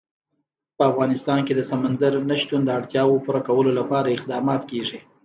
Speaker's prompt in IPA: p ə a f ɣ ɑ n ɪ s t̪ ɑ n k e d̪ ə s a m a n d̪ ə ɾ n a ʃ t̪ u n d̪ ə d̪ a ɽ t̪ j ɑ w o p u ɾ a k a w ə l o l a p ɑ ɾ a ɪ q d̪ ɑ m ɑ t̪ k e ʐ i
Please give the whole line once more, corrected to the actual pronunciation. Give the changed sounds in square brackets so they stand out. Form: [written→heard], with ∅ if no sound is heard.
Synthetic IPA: p ə a f ɣ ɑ n ɪ s t̪ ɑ n k e d̪ ə s a m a n d̪ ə ɾ n a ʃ t̪ u n d̪ ə [d̪→∅] a ɽ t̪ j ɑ w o p u ɾ a k a w ə l o l a p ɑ ɾ a ɪ q d̪ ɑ m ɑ t̪ k e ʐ i